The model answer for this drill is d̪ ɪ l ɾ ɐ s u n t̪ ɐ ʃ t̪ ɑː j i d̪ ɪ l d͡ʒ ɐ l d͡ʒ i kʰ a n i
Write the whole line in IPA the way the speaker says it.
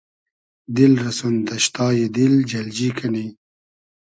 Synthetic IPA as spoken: d̪ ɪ l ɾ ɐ s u n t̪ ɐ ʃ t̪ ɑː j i d̪ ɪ l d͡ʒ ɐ l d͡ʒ i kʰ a n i

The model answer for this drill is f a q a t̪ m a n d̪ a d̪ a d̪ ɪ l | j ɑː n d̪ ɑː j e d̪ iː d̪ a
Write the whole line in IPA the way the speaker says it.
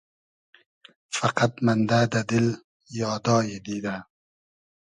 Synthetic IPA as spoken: f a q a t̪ m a n d̪ a d̪ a d̪ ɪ l | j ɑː d̪ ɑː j e d̪ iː d̪ a

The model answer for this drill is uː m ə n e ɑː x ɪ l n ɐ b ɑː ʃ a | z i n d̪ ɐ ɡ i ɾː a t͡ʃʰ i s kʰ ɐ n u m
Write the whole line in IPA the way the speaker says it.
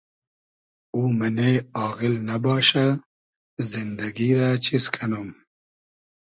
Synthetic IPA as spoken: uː m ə n e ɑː ɣ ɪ l n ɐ b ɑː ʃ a | z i n d̪ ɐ ɡ i ɾ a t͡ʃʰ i s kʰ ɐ n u m

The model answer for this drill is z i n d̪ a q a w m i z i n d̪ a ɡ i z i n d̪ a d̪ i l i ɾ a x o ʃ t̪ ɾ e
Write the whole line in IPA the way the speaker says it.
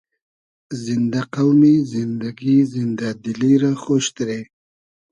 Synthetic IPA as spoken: z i n d̪ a q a w m i z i n d̪ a ɡ i z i n d̪ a d̪ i l i ɾ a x o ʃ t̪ ɾ e

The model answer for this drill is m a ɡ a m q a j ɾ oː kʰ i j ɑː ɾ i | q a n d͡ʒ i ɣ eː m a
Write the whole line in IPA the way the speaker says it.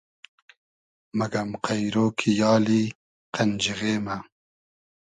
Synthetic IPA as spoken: m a ɡ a m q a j ɾ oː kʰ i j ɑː l i | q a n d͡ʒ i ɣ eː m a

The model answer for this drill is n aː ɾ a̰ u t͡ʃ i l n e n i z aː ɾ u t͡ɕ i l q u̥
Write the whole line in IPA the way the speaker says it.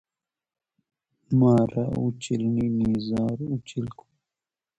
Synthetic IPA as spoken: m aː ɾ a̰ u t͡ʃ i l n i n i z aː ɾ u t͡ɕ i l k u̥

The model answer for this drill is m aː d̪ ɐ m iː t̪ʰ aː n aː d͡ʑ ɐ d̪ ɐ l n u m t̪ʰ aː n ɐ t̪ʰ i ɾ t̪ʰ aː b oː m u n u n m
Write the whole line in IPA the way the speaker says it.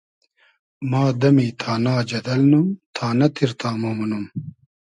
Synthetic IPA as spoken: m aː d̪ ɐ m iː t̪ʰ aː n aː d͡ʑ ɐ d̪ ɐ l n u m t̪ʰ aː n ɐ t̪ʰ i ɾ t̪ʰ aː m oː m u n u m

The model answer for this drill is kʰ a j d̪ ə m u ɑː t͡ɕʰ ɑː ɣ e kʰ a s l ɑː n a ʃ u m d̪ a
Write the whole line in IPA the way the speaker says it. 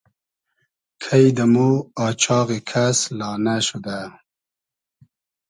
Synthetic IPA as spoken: kʰ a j d̪ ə m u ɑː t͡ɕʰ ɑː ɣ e kʰ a s l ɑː n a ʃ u d̪ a

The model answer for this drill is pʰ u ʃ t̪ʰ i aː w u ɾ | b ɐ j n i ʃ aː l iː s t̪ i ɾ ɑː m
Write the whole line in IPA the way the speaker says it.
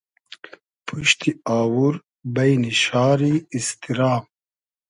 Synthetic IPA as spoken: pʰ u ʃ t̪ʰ i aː w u ɾ | b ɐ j n i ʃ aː ɾ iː s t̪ i ɾ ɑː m

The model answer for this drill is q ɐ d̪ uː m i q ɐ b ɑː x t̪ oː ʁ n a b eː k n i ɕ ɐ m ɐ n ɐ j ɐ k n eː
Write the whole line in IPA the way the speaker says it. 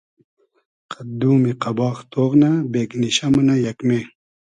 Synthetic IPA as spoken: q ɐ d̪ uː m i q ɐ b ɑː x t̪ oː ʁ n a b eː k n i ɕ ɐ m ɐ n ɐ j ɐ k m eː

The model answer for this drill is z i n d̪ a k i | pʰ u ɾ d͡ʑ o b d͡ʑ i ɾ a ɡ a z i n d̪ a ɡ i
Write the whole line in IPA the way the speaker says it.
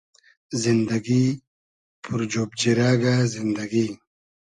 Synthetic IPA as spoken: z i n d̪ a ɡ i | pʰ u ɾ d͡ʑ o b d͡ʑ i ɾ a ɡ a z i n d̪ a ɡ i

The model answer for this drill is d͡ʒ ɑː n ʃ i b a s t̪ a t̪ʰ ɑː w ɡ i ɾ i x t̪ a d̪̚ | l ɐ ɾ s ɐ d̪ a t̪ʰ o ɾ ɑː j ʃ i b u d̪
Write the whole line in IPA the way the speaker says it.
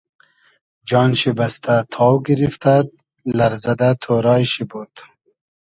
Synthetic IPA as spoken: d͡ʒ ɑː n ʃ i b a s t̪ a t̪ʰ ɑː w ɡ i ɾ i f t̪ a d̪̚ | l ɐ ɾ z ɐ d̪ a t̪ʰ o ɾ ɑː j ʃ i b u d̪

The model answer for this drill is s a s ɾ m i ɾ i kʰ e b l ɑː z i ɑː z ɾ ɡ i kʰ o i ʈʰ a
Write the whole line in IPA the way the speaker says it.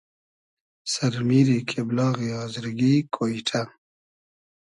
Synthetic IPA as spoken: s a ɾ m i ɾ i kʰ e b l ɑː ɣ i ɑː z ɾ ɡ i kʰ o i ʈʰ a

